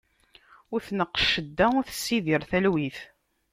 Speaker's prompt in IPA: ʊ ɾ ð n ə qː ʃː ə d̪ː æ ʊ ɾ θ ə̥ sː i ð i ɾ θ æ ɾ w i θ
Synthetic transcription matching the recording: ʊ ɾ θ n ə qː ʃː ə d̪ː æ ʊ ɾ θ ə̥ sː i ð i ɾ θ æ l w i θ